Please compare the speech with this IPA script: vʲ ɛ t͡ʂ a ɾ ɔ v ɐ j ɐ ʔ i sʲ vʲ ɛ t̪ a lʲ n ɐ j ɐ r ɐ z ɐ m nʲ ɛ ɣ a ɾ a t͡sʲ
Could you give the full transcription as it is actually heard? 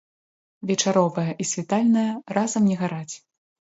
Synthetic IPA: vʲ ɛ t͡ʂ a ɾ ɔ v ɐ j ɐ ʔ i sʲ vʲ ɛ t̪ a lʲ n ɐ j ɐ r a z ɐ m nʲ ɛ ɣ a ɾ a t͡sʲ